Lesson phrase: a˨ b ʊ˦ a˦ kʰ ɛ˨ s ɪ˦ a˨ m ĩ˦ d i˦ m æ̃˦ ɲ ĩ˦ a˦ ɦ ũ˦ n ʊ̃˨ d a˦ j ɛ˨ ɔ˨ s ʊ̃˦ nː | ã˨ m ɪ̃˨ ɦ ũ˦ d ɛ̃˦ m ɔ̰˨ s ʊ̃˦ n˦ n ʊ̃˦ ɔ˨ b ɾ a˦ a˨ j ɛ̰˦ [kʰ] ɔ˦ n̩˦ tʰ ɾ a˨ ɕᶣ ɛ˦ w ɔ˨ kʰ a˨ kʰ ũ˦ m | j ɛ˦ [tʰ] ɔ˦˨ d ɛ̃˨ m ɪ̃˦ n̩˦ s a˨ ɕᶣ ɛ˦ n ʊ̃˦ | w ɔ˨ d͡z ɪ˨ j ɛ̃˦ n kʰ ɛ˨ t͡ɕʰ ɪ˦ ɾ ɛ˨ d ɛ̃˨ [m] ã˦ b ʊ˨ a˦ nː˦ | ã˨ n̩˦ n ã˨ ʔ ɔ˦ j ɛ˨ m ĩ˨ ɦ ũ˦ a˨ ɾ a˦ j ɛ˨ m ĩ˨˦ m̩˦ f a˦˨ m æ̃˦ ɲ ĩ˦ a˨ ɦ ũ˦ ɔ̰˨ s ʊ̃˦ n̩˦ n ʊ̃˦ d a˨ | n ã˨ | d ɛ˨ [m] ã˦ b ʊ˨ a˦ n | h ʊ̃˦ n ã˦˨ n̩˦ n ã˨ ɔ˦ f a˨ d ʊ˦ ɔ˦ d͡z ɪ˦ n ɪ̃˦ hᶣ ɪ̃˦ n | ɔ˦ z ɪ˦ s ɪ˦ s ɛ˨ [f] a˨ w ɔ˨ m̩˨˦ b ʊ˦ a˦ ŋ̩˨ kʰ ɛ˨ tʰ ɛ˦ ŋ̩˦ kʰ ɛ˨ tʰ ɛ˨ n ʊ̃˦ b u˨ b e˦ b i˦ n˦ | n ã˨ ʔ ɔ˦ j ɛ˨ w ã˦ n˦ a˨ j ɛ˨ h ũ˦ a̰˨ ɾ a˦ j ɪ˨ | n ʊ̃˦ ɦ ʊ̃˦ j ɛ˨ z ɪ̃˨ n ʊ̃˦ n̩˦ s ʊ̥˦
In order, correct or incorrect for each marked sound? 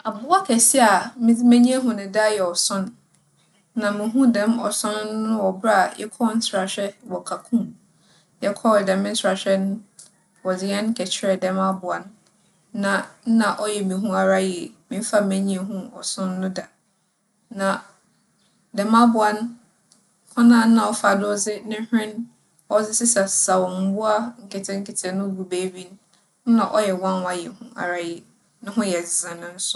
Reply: correct, incorrect: kʰ, correct, correct, incorrect: s

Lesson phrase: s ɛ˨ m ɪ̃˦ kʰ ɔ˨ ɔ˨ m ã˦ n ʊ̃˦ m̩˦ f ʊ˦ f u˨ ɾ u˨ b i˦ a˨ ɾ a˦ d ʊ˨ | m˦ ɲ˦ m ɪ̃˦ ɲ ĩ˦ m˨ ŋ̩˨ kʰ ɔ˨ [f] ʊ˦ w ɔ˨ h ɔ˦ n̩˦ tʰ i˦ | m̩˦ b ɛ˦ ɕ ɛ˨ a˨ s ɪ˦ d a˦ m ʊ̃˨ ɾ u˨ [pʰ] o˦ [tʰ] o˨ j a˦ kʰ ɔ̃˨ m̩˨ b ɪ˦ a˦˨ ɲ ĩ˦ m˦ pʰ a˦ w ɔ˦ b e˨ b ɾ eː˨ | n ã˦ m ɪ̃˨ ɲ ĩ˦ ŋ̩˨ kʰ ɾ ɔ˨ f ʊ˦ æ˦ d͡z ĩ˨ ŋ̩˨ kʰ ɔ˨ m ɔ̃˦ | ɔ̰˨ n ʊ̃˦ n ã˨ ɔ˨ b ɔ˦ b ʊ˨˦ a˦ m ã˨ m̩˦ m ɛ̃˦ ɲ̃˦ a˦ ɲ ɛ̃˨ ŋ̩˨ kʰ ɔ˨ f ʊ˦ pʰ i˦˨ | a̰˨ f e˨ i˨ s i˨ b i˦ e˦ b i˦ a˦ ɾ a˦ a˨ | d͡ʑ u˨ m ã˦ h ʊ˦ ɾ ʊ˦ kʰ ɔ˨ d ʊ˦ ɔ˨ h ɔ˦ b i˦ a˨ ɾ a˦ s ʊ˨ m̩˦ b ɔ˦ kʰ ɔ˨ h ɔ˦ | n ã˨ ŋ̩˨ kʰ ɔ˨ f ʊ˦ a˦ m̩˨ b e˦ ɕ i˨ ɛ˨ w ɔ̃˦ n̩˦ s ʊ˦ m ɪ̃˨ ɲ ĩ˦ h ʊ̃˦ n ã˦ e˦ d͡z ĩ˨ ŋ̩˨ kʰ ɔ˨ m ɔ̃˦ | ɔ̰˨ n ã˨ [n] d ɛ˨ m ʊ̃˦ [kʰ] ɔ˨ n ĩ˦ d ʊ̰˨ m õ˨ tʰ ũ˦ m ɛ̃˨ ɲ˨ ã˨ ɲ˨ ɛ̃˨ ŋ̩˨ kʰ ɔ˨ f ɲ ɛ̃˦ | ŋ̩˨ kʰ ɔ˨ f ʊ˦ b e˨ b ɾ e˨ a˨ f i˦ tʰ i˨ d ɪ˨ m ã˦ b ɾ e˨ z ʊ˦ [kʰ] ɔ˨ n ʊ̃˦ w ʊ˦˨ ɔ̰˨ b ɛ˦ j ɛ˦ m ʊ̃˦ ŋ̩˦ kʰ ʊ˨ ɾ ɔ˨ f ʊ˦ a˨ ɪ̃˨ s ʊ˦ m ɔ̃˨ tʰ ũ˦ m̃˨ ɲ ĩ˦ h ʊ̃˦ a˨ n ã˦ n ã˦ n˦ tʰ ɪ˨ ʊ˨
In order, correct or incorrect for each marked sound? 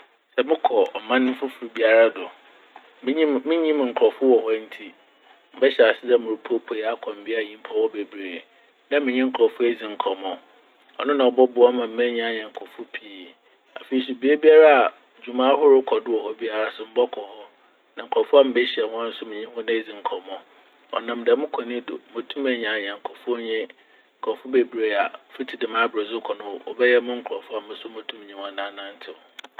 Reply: correct, correct, incorrect: pʰ, incorrect: m, correct, correct

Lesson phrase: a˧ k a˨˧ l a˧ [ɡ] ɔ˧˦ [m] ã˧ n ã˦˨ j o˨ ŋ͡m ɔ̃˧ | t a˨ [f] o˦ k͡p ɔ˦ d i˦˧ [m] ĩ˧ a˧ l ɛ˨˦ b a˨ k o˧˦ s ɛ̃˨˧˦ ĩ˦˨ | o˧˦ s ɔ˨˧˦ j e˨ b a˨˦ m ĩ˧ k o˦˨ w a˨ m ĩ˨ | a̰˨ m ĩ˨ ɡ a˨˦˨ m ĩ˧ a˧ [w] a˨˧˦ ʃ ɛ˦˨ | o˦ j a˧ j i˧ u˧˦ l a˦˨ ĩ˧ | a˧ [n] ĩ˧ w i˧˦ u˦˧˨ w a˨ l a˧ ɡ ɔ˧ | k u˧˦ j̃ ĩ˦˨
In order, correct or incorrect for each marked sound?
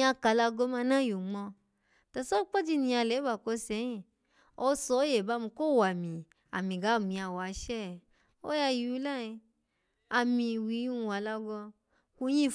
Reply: correct, correct, incorrect: s, incorrect: n, correct, incorrect: m

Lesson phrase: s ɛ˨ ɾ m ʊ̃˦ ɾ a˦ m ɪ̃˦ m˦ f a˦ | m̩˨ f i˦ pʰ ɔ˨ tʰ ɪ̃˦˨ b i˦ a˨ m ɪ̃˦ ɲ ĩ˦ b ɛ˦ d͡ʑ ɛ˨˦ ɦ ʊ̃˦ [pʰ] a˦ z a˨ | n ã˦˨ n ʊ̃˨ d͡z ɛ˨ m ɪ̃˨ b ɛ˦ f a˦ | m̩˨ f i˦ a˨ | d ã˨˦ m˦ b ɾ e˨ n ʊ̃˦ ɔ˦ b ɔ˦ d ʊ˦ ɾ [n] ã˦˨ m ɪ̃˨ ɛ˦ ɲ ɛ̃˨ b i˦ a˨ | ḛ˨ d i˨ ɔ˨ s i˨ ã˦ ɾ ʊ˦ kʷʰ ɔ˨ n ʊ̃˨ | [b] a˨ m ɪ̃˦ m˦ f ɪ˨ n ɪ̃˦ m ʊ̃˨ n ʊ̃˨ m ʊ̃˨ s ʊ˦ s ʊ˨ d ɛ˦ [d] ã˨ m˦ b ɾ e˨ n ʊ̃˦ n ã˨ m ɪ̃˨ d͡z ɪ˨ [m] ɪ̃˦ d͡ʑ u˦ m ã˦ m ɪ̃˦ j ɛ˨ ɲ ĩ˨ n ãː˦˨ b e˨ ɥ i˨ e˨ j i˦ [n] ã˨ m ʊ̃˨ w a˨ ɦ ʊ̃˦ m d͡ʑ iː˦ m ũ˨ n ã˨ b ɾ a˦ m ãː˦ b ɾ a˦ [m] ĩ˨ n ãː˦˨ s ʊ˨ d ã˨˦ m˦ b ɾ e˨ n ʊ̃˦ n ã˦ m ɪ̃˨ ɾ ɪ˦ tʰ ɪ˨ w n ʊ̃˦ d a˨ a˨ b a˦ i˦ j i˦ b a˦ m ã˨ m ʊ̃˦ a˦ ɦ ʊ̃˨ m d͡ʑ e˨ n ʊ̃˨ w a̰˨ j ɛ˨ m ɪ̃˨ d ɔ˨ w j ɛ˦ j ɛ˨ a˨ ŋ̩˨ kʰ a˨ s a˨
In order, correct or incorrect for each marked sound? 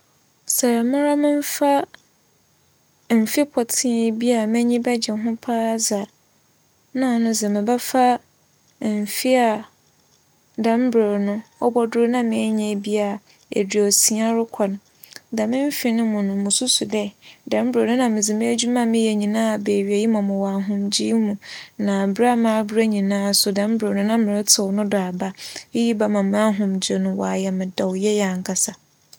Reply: correct, correct, incorrect: d, correct, correct, incorrect: m, incorrect: ɲ

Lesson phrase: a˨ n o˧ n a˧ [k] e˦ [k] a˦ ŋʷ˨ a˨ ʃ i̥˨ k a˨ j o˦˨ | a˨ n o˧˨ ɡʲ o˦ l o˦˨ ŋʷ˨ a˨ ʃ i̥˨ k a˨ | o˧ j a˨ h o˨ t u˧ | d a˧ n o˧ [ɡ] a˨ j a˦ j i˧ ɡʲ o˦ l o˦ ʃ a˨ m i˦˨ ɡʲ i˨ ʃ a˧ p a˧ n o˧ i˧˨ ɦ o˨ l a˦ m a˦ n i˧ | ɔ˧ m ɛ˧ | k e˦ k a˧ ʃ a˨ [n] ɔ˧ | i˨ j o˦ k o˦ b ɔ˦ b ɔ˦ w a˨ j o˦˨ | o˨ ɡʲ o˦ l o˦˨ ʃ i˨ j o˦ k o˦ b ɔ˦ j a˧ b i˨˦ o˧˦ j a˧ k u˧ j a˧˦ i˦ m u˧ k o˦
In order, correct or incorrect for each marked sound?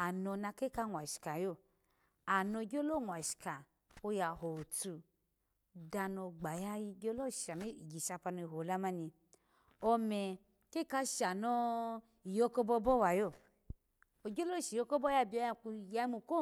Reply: correct, correct, incorrect: ɡ͡b, correct

